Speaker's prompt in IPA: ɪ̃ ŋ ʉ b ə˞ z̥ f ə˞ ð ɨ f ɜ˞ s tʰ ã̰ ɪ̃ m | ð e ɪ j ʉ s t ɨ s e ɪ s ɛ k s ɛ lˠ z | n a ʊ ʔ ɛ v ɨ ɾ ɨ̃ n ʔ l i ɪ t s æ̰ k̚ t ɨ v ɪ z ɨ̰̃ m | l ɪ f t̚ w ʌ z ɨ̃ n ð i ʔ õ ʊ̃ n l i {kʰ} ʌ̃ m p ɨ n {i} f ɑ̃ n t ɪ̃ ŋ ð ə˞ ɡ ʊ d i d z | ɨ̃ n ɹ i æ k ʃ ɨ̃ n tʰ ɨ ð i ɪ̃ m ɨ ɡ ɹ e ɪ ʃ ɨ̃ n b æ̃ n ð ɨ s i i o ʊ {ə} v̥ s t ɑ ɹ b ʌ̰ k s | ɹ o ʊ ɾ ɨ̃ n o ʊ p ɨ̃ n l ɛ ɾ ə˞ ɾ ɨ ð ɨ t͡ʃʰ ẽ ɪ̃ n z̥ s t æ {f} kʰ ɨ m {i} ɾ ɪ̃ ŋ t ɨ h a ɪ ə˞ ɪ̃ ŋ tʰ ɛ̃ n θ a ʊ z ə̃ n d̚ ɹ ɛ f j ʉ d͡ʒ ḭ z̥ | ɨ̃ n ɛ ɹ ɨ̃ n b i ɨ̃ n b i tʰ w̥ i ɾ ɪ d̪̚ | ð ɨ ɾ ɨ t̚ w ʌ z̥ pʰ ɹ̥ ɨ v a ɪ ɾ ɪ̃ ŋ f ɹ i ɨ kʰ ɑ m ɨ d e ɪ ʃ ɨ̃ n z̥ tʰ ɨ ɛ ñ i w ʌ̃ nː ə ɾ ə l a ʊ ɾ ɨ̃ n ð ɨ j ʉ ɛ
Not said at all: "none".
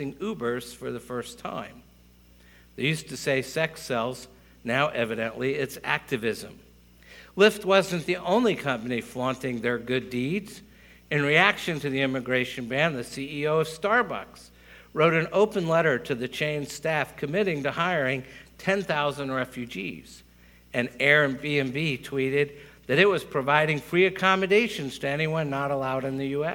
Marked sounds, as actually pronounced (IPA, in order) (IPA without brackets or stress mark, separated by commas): kʰ, i, ʌ, f, ɪ